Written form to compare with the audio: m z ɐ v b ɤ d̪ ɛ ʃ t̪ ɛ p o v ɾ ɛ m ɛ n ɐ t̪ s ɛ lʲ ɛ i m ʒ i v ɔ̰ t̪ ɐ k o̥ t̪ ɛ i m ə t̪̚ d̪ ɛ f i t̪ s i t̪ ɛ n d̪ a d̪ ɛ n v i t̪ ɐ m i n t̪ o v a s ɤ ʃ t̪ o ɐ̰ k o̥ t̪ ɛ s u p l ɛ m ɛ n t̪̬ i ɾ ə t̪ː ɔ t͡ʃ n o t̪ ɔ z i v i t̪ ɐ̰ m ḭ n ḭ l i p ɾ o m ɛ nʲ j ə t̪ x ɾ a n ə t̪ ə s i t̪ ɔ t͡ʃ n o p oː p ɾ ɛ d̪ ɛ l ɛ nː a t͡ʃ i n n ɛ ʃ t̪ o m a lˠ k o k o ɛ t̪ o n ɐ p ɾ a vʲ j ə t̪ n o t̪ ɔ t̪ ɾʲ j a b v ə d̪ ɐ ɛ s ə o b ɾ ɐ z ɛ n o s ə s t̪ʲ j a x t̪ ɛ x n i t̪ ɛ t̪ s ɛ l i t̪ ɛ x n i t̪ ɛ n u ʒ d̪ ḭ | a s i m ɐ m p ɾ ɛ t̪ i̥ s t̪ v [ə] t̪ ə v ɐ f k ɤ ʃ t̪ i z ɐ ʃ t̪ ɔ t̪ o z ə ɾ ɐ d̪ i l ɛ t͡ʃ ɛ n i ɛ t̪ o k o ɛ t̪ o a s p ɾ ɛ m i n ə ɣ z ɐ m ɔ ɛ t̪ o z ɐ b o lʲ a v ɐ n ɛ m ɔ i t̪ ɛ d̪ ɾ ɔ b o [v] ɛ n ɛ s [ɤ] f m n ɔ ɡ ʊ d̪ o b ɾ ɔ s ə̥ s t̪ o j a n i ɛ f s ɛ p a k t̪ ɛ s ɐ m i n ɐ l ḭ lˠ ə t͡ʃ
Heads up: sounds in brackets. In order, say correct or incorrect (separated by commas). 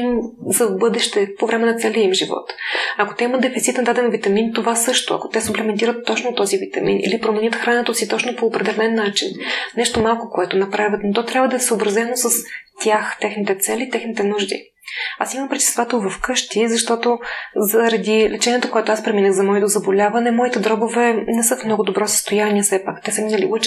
incorrect, correct, correct